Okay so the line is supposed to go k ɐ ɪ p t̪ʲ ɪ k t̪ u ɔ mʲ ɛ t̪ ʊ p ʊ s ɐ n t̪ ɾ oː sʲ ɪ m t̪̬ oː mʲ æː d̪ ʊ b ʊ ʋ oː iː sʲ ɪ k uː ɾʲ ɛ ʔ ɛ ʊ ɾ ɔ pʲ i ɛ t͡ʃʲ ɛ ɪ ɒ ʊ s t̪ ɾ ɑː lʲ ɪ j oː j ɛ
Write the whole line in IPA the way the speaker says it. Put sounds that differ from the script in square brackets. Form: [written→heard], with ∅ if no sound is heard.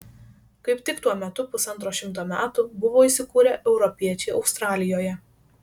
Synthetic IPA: k ɐ ɪ p t̪ʲ ɪ k t̪ u ɔ mʲ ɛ t̪ ʊ p ʊ s ɐ n t̪ ɾ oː [sʲ→ʃʲ] ɪ m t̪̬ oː mʲ æː [d̪→t̪] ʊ b ʊ ʋ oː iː sʲ ɪ k uː ɾʲ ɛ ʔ ɛ ʊ ɾ ɔ pʲ i ɛ t͡ʃʲ ɛ ɪ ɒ ʊ s t̪ ɾ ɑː lʲ ɪ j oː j ɛ